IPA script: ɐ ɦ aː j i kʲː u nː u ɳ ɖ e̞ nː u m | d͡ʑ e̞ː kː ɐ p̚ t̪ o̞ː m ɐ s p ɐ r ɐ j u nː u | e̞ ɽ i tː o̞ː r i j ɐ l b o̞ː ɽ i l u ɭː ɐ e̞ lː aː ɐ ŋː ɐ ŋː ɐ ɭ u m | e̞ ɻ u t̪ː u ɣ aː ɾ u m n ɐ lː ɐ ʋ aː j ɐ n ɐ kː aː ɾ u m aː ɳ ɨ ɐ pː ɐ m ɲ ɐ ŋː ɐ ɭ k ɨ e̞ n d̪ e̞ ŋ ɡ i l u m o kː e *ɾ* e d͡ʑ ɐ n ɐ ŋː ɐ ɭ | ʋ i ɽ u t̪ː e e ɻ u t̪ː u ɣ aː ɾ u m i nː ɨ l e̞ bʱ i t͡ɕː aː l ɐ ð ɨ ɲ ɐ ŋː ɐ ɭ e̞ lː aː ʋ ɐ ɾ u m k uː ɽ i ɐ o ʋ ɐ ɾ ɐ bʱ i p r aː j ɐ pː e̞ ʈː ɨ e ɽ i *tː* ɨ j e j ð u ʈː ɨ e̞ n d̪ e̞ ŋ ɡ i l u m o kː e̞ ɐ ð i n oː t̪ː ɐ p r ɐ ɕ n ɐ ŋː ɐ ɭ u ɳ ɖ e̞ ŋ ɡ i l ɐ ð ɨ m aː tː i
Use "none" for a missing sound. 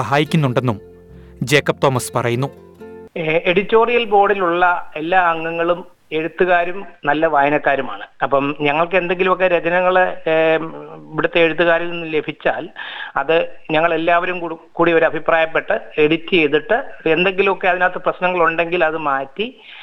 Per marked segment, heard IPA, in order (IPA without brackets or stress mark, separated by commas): ɾ, tː